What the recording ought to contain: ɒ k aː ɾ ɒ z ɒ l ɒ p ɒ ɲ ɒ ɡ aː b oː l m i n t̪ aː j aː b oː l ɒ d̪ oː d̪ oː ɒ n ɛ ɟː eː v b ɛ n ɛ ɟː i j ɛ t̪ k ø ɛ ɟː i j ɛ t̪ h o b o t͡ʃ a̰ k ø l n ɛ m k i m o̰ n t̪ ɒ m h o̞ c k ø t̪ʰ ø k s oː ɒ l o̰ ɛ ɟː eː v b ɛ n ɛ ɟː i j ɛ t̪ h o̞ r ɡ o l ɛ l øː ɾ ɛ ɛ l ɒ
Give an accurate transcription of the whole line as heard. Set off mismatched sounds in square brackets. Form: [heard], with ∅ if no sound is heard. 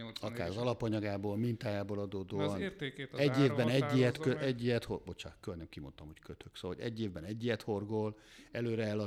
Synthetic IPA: ɒ k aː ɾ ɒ z ɒ l ɒ p ɒ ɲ ɒ ɡ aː b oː l m i n t̪ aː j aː b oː l ɒ d̪ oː d̪ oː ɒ n ɛ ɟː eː v b ɛ n ɛ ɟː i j ɛ t̪ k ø ɛ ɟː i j ɛ t̪ h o b o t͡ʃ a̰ k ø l n ɛ m k i m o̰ n t̪ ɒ m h o̞ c k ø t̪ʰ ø k s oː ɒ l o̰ ɛ ɟː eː v b ɛ n ɛ ɟː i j ɛ t̪ h o̞ r ɡ o l ɛ l øː ɾ ɛ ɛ l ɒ